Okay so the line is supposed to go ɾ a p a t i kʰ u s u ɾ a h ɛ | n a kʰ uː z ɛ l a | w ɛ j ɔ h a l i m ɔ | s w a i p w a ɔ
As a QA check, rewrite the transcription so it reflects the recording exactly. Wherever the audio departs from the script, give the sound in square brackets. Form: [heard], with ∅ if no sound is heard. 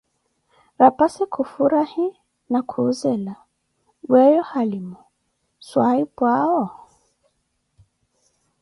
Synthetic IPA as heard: ɾ a p a [s] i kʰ u [f] u ɾ a h [i] | n a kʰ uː z ɛ l a | w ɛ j ɔ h a l i m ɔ | s w a i p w a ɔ